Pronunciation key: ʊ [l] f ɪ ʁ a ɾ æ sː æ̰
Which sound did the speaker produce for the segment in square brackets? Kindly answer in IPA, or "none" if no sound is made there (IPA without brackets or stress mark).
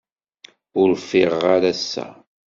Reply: ɾ